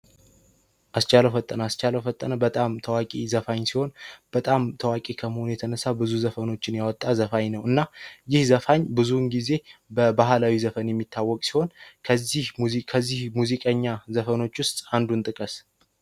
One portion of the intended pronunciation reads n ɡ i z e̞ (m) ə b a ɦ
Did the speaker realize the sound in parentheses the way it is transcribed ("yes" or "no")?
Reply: no